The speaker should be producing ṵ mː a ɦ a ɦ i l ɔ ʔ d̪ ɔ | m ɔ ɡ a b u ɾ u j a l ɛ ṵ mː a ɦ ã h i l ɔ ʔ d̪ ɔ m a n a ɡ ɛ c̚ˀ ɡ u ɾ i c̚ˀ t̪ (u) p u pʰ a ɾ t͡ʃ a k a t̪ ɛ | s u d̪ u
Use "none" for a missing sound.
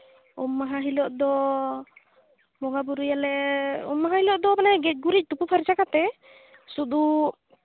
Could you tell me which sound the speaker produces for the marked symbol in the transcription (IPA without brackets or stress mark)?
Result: u